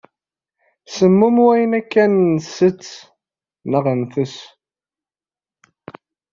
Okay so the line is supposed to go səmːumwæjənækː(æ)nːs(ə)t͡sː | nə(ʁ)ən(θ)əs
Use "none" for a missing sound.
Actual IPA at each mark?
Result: æ, ə, ʁ, θ

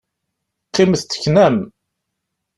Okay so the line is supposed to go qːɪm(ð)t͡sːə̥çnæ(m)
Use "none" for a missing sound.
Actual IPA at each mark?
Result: θ, m

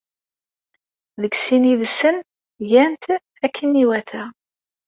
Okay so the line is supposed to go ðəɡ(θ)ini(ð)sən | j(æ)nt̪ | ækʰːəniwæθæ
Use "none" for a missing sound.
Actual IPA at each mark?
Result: s, ð, æ

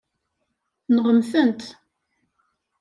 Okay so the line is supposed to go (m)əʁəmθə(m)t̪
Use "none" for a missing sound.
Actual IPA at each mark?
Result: n, n

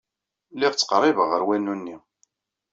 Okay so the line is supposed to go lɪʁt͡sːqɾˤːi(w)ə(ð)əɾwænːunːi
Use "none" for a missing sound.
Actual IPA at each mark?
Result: v, ʁ

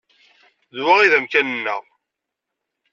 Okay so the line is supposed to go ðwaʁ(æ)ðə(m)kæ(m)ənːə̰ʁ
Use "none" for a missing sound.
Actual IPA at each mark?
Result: i, m, n

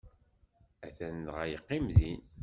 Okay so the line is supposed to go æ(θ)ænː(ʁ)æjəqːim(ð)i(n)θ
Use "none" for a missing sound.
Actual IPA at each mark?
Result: θ, ʁ, ð, n

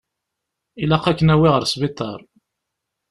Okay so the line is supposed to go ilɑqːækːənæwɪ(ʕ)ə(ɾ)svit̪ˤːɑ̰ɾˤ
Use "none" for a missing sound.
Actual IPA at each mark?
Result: ʁ, ɾ

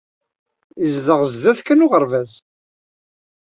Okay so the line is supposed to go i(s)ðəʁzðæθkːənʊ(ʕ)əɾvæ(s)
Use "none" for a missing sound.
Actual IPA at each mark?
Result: z, ʁ, z

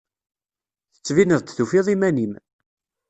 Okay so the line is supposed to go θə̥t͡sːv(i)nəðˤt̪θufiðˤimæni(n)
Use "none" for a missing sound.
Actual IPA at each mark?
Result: i, m

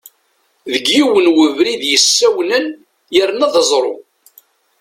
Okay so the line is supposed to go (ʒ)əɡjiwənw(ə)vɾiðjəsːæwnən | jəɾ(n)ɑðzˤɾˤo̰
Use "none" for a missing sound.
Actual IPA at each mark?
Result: ð, ə, n

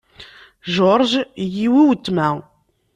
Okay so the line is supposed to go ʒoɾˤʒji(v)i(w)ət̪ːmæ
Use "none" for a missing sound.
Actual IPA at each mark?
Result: w, w

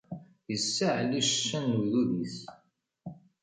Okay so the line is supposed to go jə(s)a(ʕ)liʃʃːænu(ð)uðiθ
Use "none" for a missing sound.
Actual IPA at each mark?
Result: sː, ʕ, ð

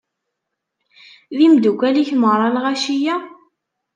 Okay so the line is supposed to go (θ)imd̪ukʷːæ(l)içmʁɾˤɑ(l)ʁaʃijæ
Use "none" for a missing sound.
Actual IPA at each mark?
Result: ð, l, l

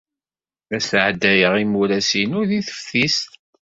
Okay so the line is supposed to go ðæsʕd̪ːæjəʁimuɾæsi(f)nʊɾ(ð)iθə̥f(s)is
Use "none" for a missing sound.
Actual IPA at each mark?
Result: none, ð, θ

